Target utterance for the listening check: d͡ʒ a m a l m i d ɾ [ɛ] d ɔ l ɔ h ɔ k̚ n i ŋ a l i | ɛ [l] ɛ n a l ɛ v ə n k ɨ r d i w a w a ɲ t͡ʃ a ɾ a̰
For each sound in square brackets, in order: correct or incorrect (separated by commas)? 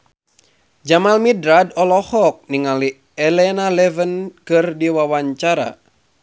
incorrect, correct